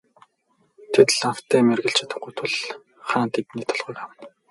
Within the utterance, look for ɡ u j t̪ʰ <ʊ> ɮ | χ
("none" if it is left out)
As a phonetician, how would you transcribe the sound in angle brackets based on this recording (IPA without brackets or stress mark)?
ʊ